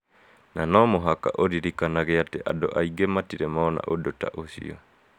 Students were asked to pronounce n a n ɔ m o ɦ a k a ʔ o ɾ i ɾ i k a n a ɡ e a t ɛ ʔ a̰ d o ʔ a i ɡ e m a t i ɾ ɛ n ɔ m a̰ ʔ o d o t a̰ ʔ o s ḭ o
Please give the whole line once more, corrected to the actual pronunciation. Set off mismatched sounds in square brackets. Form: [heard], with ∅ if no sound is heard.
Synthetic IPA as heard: n a n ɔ m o ɦ a k a ʔ o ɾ i ɾ i k a n a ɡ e a t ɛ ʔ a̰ d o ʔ a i ɡ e m a t i ɾ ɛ [m] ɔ [n] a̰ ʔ o d o t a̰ ʔ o s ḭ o